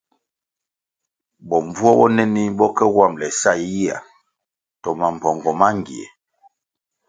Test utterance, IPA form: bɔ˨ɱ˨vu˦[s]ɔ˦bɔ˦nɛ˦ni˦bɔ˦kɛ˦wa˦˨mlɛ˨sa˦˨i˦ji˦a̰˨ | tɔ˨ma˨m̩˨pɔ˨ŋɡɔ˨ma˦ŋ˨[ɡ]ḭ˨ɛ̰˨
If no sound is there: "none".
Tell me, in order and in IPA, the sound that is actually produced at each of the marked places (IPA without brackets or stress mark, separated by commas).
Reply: none, ɡ